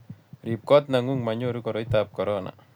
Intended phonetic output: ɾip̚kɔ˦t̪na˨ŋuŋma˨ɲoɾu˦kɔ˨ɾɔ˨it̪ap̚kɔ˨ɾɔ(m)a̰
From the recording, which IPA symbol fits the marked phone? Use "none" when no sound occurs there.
n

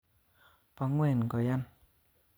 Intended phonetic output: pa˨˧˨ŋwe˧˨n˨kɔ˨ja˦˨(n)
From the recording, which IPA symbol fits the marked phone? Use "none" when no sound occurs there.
n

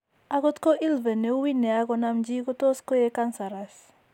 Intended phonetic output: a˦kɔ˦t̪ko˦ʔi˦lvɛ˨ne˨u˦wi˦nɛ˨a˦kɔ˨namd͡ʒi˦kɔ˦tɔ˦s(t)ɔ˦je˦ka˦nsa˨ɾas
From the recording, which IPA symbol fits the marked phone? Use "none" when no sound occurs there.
k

